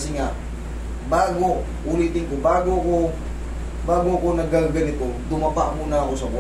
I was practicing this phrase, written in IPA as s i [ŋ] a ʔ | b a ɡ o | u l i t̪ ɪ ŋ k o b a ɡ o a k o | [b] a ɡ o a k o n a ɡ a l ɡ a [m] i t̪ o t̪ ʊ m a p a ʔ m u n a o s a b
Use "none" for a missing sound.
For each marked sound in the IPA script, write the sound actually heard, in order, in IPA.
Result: ŋ, b, n

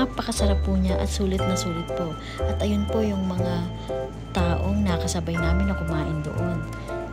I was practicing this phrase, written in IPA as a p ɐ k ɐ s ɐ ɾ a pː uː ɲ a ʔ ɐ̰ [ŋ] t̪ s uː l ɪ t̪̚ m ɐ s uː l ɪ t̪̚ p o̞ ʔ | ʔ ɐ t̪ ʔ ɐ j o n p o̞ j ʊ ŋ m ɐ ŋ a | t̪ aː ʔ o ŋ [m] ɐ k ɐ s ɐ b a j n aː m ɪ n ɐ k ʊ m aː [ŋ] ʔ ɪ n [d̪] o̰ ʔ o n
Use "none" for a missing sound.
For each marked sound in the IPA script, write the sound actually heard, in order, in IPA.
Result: none, n, none, d̪

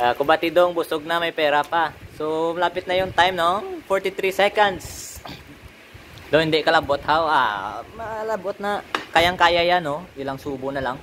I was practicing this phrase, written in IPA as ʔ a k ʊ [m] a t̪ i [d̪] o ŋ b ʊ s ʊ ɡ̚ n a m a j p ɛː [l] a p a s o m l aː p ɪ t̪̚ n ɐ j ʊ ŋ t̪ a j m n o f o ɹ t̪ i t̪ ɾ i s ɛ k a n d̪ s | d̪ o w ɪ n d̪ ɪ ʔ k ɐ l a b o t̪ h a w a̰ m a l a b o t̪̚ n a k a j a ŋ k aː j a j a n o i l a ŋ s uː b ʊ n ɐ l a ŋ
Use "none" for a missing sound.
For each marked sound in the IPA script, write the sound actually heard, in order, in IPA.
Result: b, d̪, ɾ

